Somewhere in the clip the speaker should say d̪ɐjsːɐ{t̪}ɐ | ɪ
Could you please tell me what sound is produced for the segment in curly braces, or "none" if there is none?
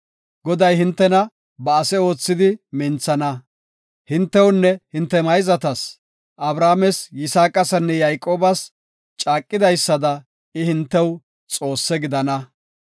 d̪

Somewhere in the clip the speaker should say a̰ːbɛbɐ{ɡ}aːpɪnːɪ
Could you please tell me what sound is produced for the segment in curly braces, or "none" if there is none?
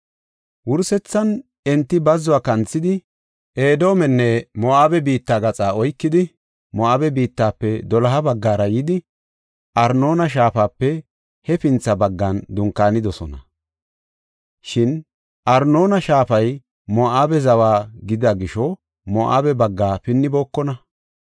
ɡː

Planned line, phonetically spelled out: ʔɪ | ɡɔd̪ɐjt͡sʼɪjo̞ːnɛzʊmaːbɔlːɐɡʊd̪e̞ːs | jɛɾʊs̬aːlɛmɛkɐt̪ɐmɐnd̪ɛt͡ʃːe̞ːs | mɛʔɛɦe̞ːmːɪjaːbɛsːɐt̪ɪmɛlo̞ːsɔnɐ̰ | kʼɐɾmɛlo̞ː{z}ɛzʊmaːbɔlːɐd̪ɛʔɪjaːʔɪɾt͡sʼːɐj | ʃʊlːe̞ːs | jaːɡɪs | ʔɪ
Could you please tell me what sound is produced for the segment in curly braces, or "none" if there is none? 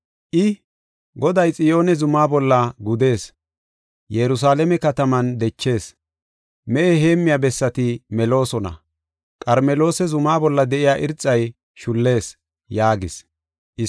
s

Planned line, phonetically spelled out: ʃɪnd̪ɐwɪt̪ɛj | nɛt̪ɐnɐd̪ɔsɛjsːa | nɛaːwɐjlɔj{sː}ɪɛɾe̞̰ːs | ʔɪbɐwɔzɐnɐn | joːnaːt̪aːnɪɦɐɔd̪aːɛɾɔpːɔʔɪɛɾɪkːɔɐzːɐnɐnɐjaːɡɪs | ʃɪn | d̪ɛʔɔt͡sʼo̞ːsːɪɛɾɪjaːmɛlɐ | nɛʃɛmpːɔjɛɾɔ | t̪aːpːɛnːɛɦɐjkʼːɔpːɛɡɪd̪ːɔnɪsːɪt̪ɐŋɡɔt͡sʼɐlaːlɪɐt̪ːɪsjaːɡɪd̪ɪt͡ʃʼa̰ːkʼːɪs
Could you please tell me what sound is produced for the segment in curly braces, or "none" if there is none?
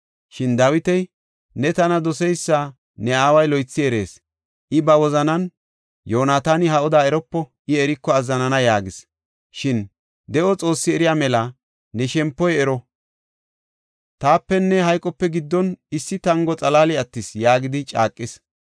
t͡sː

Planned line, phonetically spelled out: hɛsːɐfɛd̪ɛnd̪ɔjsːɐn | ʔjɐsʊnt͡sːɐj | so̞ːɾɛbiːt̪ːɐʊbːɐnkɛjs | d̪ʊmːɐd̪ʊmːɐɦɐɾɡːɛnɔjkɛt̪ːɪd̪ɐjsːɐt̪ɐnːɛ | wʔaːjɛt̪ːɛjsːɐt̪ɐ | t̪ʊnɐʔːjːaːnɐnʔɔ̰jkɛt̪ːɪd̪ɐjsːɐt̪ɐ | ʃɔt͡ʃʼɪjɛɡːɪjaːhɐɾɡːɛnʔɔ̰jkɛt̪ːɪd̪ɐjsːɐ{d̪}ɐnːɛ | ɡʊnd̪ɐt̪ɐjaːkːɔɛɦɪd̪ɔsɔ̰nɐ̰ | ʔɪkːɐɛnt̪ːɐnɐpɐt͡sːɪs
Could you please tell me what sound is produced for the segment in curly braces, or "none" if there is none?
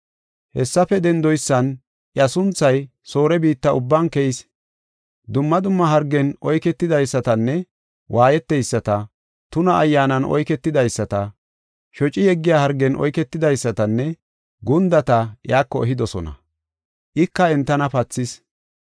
t̪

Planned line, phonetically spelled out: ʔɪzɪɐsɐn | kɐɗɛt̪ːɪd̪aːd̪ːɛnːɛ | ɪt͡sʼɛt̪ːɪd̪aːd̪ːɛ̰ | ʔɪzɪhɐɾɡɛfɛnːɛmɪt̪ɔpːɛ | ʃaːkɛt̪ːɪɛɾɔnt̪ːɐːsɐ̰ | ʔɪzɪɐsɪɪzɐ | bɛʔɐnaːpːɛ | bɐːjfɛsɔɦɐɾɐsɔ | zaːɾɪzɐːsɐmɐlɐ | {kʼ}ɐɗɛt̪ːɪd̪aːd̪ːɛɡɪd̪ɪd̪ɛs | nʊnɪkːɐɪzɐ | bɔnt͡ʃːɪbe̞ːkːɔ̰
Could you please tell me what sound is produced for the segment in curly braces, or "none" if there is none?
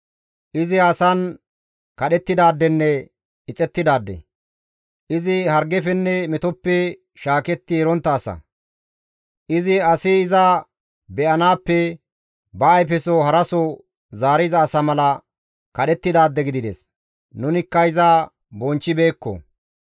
k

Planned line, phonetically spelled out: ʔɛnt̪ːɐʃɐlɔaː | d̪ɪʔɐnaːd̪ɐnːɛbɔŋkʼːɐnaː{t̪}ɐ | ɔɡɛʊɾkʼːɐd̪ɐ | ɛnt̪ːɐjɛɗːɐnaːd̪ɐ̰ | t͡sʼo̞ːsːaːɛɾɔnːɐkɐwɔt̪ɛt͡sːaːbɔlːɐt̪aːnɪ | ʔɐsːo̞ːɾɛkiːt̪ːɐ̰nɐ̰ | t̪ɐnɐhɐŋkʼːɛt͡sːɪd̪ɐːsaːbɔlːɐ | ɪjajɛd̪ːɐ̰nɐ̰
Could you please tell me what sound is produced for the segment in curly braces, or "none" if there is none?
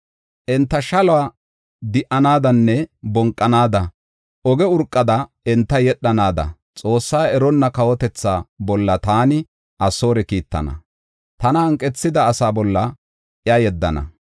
d̪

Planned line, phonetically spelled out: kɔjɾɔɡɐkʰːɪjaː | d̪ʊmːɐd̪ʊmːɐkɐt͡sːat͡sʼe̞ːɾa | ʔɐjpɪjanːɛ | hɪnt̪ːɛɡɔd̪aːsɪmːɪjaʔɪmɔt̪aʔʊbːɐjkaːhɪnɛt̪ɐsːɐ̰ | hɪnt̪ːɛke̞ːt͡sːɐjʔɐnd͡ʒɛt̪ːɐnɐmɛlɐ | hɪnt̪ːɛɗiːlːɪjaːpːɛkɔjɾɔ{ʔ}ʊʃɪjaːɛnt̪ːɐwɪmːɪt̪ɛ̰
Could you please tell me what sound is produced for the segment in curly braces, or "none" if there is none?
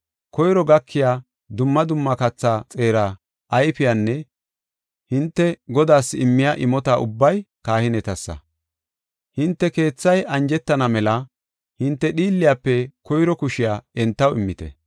k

